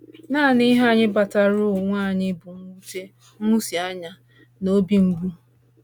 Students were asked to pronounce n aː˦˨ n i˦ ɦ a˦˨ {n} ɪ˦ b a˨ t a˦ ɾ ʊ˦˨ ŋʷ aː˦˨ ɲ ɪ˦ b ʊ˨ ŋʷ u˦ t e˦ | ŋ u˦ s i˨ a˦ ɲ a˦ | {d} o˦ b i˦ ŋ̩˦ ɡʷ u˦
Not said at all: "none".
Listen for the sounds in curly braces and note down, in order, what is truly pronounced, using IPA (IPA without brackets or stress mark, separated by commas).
ɲ, n